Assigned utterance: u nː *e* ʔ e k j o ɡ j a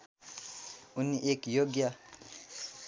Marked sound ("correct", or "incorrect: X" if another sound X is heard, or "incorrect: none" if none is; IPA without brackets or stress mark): incorrect: i